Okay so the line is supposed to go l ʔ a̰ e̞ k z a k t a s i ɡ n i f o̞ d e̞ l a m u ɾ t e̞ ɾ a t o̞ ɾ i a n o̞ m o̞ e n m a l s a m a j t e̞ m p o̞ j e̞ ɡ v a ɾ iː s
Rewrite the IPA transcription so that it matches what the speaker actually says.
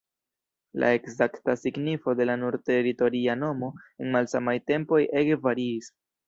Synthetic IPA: l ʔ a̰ e̞ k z a k t a s i ɡ n i f o̞ d e̞ l a n u ɾ t e̞ ɾ i t o̞ ɾ i a n o̞ m o̞ e n m a l s a m a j t e̞ m p o̞ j e̞ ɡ v a ɾ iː s